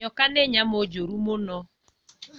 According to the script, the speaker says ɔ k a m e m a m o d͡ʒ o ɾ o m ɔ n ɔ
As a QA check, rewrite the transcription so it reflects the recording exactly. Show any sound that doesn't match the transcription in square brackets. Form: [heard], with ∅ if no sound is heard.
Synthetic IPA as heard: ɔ k a [n] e [ɲ] a m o d͡ʒ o ɾ [u] m [o] n ɔ